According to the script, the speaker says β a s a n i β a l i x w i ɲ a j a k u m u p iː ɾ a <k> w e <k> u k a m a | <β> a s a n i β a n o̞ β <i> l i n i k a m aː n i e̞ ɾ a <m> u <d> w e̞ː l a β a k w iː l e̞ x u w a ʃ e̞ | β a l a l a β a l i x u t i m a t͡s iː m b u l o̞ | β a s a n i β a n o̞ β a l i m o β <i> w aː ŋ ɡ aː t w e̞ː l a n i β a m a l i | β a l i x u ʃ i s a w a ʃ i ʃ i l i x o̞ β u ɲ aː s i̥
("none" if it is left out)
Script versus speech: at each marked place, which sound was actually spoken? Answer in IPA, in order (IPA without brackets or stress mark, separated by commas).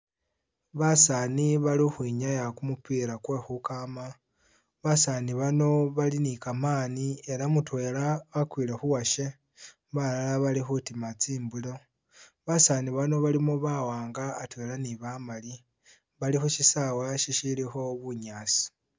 k, x, β, a, m, t, a